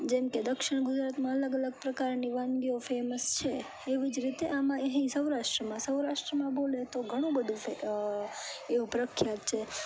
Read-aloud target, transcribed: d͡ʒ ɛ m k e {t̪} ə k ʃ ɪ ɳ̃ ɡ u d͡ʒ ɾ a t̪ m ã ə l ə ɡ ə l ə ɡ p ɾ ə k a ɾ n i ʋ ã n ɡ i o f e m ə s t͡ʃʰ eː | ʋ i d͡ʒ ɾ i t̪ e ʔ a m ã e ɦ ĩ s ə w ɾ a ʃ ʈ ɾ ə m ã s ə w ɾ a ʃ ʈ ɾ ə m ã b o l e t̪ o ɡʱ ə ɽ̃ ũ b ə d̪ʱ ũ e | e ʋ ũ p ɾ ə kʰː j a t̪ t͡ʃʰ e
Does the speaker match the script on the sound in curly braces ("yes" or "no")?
no